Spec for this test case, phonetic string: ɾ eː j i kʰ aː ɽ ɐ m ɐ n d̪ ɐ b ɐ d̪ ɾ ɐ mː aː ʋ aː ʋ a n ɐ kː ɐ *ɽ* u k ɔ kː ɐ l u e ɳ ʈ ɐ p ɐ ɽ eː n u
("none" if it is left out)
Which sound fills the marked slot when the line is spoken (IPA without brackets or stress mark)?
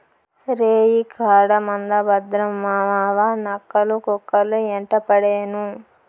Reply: l